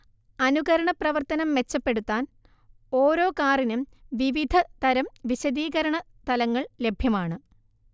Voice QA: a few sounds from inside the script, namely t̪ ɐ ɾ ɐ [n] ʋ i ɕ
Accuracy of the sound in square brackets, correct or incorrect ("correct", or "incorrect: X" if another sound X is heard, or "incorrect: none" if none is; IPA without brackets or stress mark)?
incorrect: m